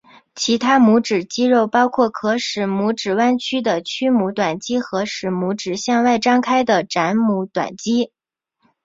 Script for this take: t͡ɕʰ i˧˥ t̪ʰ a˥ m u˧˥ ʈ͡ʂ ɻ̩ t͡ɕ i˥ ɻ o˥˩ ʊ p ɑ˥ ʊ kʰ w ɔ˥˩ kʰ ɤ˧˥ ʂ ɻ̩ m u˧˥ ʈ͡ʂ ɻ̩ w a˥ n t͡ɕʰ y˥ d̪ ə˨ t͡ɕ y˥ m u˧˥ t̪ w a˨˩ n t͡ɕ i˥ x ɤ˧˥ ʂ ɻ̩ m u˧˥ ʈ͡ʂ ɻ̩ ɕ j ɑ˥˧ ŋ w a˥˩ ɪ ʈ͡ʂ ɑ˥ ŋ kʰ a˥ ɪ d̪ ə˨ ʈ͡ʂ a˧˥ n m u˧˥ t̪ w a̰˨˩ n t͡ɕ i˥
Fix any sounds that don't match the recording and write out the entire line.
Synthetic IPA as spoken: t͡ɕʰ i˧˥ t̪ʰ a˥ m u˧˥ ʈ͡ʂ ɻ̩ t͡ɕ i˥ ɻ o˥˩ ʊ p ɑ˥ ʊ kʰ w ɔ˥˩ kʰ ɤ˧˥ ʂ ɻ̩ m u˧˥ ʈ͡ʂ ɻ̩ w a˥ n t͡ɕʰ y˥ d̪ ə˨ t͡ɕʰ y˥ m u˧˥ t̪ w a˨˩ n t͡ɕ i˥ x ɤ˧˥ ʂ ɻ̩ m u˧˥ ʈ͡ʂ ɻ̩ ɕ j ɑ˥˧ ŋ w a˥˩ ɪ ʈ͡ʂ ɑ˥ ŋ kʰ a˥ ɪ d̪ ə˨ ʈ͡ʂ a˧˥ n m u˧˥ t̪ w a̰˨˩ n t͡ɕ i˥